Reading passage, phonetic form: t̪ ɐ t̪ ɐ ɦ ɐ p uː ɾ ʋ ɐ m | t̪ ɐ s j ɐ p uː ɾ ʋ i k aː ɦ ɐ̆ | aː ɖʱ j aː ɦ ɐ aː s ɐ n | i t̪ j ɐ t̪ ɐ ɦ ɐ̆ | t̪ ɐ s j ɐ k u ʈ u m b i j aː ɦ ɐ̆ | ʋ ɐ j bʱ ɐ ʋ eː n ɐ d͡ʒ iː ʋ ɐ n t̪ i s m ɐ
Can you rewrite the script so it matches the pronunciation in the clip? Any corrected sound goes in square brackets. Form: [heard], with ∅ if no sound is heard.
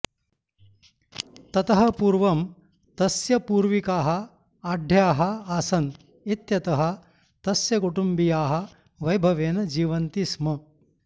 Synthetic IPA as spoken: t̪ ɐ t̪ ɐ ɦ ɐ p uː ɾ ʋ ɐ m | t̪ ɐ s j ɐ p uː ɾ ʋ i k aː ɦ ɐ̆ | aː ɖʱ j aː ɦ ɐ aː s ɐ n | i t̪ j ɐ t̪ ɐ ɦ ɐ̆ | t̪ ɐ s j ɐ k u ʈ u m b i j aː ɦ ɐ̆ | ʋ ɐ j bʱ ɐ ʋ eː n ɐ d͡ʒ iː ʋ ɐ n t̪ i s m ɐ

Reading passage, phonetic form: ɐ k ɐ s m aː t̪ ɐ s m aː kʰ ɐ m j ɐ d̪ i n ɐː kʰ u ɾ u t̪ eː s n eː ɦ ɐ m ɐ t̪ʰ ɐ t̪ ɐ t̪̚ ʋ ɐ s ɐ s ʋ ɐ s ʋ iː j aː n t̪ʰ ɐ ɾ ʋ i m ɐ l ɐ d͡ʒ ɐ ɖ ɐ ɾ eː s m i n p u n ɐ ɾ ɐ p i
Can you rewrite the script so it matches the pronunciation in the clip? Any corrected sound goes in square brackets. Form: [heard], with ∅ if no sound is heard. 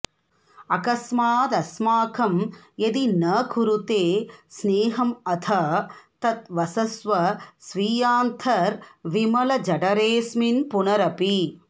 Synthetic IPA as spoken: ɐ k ɐ s m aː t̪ ɐ s m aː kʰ ɐ m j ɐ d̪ i n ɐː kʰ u ɾ u t̪ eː s n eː ɦ ɐ m ɐ t̪ʰ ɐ t̪ ɐ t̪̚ ʋ ɐ s ɐ s ʋ ɐ s ʋ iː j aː n t̪ʰ ɐ ɾ ʋ i m ɐ l ɐ d͡ʒ ɐ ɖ ɐ ɾ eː s m i n p u n ɐ ɾ ɐ p i

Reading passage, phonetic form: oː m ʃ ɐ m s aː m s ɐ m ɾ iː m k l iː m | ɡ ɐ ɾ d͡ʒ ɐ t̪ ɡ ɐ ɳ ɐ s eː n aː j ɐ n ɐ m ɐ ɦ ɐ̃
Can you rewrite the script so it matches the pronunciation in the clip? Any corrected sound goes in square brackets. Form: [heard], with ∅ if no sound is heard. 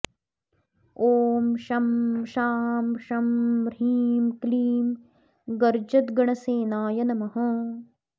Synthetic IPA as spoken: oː m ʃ ɐ m [ʃ] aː m [ʃ] ɐ m ɾ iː m k l iː m | ɡ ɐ ɾ d͡ʒ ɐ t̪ ɡ ɐ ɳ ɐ s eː n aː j ɐ n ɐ m ɐ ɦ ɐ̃

